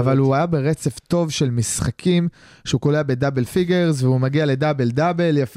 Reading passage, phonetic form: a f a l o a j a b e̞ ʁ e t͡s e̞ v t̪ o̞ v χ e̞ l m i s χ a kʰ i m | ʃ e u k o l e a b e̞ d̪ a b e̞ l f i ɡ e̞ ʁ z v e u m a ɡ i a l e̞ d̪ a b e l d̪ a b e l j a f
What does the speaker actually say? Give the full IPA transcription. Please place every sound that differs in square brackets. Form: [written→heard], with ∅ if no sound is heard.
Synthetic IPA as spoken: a [f→v] a l [o→u] a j a b e̞ ʁ e t͡s e̞ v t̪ o̞ v [χ→ʃ] e̞ l m i s χ a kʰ i m | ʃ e u k o l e a b e̞ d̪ a b e̞ l f i ɡ e̞ ʁ z v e u m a ɡ i a l e̞ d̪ a b e l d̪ a b e l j a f